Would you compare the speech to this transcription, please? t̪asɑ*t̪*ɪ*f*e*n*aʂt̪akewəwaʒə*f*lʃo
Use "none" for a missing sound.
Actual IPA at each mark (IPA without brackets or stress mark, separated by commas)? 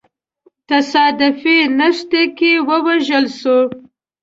d̪, f, n, none